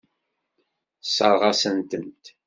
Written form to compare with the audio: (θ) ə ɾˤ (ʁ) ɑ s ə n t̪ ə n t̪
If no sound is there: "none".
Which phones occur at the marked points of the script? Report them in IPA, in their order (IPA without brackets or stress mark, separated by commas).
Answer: s, ʁ